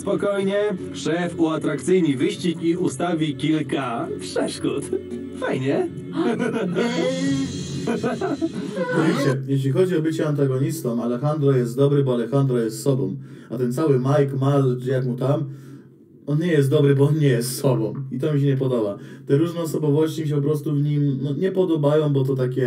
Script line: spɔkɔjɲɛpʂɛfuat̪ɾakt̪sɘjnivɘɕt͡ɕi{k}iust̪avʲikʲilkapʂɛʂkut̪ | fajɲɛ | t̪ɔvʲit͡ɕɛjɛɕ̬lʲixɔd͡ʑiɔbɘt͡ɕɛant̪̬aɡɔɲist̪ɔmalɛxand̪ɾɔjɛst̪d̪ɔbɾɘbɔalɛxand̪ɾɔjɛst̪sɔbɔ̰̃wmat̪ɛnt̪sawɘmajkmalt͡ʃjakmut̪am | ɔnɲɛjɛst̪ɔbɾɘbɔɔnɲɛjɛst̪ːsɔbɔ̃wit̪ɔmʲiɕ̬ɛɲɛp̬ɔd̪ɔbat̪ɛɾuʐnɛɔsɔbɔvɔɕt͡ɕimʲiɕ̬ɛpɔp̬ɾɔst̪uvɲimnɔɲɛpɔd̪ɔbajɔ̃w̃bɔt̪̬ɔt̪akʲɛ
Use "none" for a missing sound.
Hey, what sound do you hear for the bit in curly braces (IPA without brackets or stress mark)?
k